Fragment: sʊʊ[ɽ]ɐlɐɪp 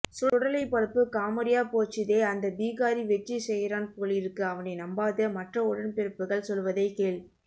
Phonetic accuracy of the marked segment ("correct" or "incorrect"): correct